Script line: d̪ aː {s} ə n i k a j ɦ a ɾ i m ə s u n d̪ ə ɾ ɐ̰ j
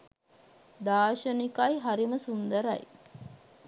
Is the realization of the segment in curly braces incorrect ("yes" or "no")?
yes